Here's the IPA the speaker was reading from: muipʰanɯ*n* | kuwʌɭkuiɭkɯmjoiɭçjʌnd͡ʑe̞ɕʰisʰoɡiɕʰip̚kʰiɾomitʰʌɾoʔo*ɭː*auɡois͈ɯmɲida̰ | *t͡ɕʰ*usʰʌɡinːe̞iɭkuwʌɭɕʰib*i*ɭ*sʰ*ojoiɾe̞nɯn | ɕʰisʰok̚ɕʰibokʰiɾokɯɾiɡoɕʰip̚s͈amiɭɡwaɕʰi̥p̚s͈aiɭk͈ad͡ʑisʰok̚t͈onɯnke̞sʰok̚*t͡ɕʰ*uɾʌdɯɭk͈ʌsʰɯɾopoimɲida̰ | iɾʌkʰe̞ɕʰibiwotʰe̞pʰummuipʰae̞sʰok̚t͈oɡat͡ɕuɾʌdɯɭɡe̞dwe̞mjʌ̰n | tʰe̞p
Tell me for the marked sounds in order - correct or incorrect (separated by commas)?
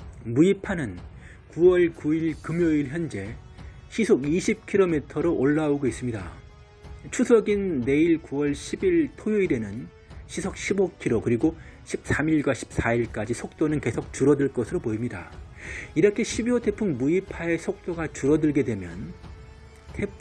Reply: correct, correct, correct, correct, incorrect, incorrect